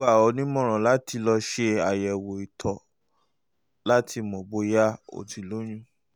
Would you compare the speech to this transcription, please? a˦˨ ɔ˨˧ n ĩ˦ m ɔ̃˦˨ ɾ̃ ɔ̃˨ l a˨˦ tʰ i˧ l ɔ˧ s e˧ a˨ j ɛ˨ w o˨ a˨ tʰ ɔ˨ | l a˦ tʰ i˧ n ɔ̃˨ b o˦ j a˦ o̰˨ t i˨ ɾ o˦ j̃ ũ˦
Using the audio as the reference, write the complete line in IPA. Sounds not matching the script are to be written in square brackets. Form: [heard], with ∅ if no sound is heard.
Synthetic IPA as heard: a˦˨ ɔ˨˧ n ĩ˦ m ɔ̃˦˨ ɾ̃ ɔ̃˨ l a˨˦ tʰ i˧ l ɔ˧ [ʃ] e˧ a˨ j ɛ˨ w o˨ [i˨] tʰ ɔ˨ | l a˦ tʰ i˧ [m] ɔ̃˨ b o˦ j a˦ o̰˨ t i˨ [l] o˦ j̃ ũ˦